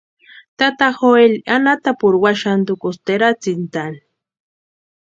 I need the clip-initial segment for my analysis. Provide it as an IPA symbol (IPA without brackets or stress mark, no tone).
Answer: t̪